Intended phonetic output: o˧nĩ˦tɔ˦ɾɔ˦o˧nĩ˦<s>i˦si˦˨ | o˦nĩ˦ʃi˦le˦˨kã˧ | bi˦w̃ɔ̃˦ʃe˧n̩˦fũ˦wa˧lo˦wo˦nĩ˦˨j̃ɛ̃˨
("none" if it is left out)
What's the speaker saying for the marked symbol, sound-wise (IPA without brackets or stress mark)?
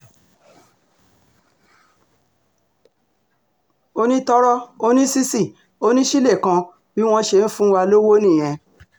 s